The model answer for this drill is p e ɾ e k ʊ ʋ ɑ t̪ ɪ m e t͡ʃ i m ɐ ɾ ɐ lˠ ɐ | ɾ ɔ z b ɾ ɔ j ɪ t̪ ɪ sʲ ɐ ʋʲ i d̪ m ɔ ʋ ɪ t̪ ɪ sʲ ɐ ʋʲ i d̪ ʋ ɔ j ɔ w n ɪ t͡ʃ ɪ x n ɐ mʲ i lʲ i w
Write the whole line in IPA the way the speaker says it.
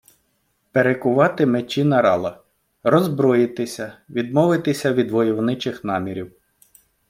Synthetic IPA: p e ɾ e k ʊ ʋ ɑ t̪ ɪ m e t͡ʃ i n ɐ ɾ ɑ lˠ ɐ | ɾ ɔ z b ɾ ɔ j ɪ t̪ ɪ sʲ ɐ ʋʲ i d̪ m ɔ ʋ ɪ t̪ ɪ sʲ ɐ ʋʲ i d̪ ʋ ɔ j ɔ w n ɪ t͡ʃ ɪ x n ɑ mʲ i ɾʲ i w